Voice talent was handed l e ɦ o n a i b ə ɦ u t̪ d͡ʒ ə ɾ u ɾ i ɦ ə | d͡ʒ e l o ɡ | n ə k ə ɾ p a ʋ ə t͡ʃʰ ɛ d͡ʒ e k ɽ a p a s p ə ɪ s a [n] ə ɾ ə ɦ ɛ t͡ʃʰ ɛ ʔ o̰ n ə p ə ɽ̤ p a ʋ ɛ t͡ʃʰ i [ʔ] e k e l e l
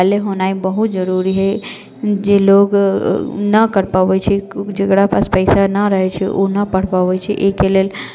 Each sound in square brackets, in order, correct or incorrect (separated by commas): correct, correct